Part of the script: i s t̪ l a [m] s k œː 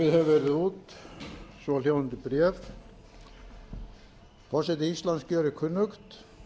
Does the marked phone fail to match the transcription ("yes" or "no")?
yes